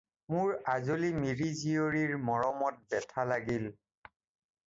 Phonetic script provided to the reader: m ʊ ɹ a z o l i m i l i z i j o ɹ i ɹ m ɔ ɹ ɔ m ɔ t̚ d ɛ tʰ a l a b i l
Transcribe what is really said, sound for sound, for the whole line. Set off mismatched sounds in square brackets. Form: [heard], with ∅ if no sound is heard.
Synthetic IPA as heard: m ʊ ɹ a z o l i m i [ɹ] i z i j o ɹ i ɹ m ɔ ɹ ɔ m ɔ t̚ [b] ɛ tʰ a l a [ɡ] i l